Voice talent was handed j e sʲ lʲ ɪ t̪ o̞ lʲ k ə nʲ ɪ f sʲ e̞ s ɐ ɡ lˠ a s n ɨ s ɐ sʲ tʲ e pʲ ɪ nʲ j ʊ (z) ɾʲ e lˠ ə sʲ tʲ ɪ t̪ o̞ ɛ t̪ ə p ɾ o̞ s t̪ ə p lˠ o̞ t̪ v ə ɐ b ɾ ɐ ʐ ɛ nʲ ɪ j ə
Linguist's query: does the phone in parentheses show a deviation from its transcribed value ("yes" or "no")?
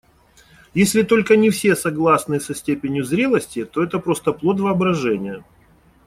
no